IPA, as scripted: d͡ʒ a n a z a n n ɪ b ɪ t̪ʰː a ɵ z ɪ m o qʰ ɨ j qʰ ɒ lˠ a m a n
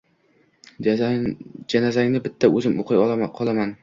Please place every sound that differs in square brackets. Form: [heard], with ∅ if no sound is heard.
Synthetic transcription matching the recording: d͡ʒ a n a z a [ŋ] n ɪ b ɪ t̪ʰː a ɵ z ɪ m o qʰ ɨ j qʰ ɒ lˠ a m a n